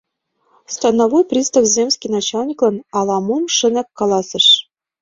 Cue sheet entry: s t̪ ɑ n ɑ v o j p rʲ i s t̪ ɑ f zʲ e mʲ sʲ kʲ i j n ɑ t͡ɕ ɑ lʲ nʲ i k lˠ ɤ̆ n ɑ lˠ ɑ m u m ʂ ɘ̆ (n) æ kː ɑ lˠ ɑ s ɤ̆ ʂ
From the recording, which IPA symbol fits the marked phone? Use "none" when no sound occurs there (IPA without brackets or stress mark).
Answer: n